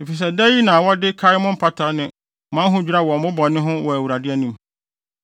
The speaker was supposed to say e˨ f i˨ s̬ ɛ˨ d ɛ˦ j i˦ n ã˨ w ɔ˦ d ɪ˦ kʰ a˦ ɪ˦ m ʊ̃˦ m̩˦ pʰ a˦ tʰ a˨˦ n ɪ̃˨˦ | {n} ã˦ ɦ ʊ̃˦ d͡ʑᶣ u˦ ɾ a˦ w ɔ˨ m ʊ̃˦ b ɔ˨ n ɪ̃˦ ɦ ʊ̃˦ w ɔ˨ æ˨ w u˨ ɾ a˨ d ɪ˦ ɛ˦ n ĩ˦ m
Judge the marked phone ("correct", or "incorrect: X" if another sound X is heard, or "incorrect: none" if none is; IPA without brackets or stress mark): incorrect: m